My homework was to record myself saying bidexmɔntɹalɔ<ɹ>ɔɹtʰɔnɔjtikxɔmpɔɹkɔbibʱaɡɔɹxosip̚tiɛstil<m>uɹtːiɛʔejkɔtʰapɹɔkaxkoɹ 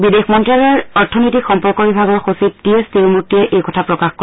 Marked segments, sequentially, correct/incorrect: correct, correct

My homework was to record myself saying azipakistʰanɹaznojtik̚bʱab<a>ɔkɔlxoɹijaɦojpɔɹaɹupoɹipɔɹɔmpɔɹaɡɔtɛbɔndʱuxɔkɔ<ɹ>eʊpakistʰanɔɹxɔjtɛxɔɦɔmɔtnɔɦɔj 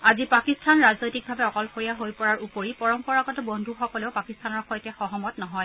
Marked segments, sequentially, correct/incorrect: incorrect, incorrect

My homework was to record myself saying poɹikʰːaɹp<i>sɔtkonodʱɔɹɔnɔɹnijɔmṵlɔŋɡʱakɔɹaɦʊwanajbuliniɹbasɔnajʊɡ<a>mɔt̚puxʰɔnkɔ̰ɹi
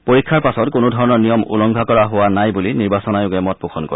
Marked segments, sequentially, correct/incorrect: incorrect, incorrect

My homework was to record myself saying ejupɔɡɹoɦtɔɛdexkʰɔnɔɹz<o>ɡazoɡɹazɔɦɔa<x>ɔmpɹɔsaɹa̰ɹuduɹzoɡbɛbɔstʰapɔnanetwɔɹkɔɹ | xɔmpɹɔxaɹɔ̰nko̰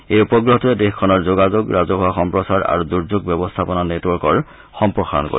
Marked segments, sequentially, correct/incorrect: correct, correct

